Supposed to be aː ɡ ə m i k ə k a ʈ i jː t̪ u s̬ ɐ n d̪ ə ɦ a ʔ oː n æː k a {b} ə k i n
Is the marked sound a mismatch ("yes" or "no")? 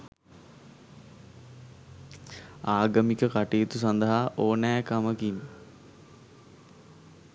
yes